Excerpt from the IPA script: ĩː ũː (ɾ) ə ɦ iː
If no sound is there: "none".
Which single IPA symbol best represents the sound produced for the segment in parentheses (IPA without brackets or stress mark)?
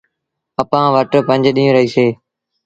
ɾ